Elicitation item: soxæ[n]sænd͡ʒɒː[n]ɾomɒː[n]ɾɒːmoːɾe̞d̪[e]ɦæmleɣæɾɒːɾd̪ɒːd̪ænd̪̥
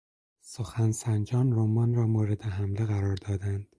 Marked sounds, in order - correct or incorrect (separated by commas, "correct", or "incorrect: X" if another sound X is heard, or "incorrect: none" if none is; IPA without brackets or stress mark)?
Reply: correct, correct, correct, correct